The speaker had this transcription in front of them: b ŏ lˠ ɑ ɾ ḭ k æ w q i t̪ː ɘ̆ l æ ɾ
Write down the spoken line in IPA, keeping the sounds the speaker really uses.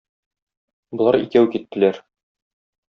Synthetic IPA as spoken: b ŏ lˠ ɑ ɾ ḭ k æ w k i t̪ː ɘ̆ l æ ɾ